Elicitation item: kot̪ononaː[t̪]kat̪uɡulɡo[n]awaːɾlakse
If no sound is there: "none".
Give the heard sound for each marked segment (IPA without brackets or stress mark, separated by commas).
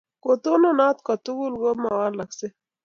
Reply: t̪, m